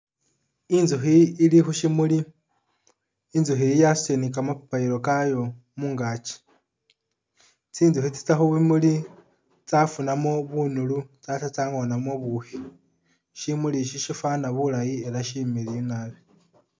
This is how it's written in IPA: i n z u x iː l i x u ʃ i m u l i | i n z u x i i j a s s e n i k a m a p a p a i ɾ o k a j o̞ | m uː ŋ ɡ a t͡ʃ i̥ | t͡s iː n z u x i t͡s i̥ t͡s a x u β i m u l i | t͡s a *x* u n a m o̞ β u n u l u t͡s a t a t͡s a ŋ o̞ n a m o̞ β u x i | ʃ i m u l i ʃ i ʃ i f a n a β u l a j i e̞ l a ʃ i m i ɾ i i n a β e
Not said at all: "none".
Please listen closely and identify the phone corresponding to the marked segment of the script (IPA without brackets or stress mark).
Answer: f